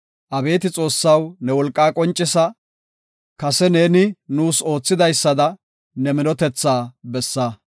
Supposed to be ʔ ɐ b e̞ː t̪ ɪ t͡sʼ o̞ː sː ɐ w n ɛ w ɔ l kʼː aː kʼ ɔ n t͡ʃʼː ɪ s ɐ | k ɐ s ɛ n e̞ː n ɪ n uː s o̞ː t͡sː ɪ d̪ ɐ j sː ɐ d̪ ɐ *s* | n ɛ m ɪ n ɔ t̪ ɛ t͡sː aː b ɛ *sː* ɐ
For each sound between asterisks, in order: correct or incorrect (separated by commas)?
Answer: incorrect, correct